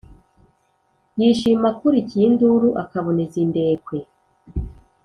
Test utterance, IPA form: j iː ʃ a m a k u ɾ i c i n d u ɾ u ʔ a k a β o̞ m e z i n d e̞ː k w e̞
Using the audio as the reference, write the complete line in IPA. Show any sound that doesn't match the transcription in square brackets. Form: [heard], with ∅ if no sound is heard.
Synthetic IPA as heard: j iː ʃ [i] m a k u ɾ i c i n d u ɾ u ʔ a k a β o̞ [n] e z i n d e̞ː k w e̞

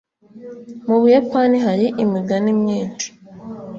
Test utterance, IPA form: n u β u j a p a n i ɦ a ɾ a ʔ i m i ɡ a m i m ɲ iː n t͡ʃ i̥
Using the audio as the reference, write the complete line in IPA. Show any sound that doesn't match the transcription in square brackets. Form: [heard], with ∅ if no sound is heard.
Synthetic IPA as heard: [m] u β u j a p a n i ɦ a ɾ [i] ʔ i m i ɡ a [n] i m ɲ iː n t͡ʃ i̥

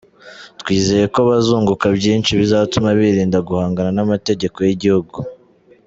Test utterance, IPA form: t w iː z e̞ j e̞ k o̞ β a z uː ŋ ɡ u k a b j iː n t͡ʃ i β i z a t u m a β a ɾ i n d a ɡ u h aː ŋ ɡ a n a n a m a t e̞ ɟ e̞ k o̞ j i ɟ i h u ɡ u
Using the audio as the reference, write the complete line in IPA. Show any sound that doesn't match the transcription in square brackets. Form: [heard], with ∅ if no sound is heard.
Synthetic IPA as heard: t w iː z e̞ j e̞ k o̞ β a z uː ŋ ɡ u k a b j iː n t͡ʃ i β i z a t u m a β [i] ɾ [iː] n d a ɡ u h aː ŋ ɡ a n a n a m a t e̞ ɟ e̞ k o̞ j i ɟ i h u ɡ u

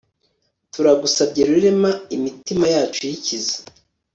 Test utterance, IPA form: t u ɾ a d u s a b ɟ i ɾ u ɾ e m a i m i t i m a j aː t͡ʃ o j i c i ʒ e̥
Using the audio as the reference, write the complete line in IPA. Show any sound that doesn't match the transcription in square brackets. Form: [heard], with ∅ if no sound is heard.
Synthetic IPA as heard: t u ɾ a [ɡ] u s a b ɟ [e] ɾ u ɾ e m a i m i t i m a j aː t͡ʃ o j i c i [z] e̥

